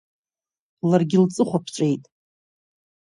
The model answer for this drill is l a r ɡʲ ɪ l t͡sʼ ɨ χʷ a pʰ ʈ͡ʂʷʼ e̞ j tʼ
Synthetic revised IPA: l a r ɡʲ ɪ l t͡sʼ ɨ χʷ a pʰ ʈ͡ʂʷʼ e̞ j tʼ